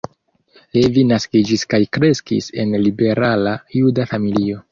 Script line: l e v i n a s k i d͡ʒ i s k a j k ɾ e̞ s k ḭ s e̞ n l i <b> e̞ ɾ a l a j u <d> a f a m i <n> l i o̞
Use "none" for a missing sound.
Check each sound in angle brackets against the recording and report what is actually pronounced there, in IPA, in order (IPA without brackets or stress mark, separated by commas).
b, d, none